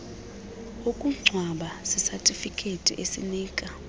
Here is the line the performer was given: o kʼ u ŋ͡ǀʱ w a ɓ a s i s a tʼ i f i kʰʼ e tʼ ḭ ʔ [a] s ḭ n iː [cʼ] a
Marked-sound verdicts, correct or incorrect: incorrect: e, incorrect: kʼ

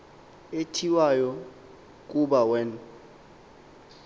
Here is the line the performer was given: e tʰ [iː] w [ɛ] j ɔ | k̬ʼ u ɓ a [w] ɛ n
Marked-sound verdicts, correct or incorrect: incorrect: i, incorrect: a, correct

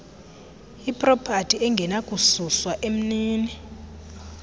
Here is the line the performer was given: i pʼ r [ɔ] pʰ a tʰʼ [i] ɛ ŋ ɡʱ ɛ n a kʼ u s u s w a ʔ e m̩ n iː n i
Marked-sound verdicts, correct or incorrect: correct, correct

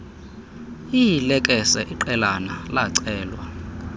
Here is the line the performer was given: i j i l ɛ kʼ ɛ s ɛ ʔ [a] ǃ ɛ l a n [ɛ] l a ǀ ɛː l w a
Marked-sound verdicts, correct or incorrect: incorrect: i, incorrect: a

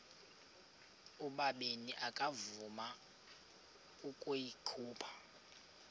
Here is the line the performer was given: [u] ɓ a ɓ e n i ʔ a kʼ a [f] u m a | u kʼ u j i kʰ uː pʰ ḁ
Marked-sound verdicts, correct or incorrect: correct, incorrect: v

